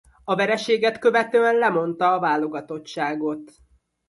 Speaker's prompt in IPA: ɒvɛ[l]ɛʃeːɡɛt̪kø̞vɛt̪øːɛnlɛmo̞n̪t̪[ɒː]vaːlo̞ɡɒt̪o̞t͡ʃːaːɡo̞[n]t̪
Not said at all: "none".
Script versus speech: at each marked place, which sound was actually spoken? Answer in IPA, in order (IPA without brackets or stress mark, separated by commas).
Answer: ɾ, ɒː, none